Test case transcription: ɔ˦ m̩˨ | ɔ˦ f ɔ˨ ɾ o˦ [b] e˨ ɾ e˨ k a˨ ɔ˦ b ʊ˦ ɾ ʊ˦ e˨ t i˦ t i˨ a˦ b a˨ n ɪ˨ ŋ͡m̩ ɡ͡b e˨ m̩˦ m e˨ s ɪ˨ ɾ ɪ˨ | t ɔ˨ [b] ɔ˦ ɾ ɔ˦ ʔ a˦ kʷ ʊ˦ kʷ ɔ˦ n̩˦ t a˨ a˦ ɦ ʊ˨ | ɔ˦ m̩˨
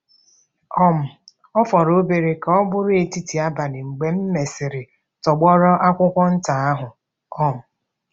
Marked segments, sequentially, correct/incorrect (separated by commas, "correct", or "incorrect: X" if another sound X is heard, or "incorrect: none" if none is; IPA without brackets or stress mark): correct, incorrect: ɡ͡b